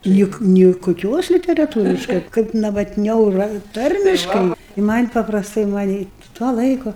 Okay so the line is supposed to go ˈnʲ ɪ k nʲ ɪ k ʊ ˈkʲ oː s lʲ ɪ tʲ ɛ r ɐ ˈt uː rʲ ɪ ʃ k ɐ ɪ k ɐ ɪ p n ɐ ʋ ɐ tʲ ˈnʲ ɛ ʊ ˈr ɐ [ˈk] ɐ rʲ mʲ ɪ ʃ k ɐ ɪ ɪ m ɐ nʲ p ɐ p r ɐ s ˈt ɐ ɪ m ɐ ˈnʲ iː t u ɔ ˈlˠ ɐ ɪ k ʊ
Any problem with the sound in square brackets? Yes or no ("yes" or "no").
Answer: yes